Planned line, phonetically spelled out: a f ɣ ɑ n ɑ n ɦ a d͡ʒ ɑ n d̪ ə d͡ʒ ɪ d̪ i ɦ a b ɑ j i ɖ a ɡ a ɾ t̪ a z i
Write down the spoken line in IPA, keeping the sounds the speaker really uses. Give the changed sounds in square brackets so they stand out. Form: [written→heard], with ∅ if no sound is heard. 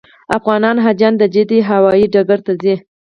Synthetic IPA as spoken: a f ɣ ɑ n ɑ n ɦ a d͡ʒ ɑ n d̪ ə d͡ʒ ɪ d̪ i ɦ a [b→w] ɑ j i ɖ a ɡ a ɾ t̪ a z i